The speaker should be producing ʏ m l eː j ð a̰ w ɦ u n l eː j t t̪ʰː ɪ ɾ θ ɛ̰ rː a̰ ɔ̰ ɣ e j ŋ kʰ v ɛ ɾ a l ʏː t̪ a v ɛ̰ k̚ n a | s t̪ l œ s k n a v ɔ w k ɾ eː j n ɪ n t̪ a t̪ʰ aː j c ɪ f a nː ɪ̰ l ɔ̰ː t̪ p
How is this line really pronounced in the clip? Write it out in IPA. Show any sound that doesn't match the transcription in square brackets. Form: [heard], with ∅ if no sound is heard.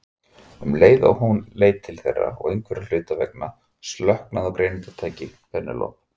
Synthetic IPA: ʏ m l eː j ð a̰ w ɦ u n l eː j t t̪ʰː ɪ [l] θ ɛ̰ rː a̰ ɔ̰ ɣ e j ŋ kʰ v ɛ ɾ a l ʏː t̪ a v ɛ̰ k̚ n a | s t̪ l œ [h] k n a [ð] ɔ w k ɾ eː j n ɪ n t̪ a t̪ʰ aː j c ɪ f [ɛ] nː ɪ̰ l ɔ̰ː [∅] p